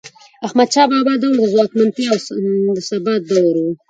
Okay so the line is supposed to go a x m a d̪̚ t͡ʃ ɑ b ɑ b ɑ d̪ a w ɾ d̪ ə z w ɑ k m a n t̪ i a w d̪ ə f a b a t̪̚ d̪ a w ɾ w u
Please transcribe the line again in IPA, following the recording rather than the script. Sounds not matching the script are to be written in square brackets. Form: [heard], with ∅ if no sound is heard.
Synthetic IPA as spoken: a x m a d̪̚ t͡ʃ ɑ b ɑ b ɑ d̪ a w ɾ d̪ ə z w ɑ k m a n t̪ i a w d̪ ə [s] a b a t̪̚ d̪ a w ɾ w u